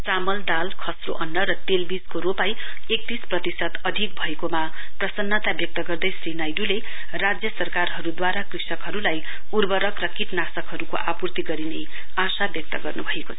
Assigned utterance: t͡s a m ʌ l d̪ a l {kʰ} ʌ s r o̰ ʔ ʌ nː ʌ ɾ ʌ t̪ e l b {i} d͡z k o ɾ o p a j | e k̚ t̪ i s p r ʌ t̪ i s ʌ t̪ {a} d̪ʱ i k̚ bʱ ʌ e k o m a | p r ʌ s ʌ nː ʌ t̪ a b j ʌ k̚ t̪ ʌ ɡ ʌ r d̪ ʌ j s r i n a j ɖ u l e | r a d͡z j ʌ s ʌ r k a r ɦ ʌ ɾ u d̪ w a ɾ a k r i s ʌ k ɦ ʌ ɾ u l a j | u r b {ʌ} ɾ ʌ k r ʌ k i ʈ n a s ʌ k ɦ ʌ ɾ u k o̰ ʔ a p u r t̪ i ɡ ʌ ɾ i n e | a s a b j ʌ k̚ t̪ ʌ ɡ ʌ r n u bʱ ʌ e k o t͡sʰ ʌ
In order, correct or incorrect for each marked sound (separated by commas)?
correct, correct, incorrect, correct